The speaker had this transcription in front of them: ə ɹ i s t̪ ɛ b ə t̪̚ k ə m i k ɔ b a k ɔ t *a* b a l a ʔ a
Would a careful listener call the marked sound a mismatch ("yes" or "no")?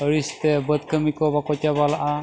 no